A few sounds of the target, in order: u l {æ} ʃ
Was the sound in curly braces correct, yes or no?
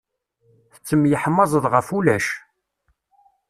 yes